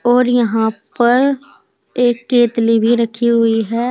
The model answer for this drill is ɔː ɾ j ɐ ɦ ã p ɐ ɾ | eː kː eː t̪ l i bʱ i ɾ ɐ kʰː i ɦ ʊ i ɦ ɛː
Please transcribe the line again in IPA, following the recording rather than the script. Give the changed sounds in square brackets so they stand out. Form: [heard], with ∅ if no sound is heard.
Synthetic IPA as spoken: ɔː ɾ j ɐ ɦ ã p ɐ ɾ | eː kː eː t̪ l i bʱ i ɾ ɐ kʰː i ɦ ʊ i ɦ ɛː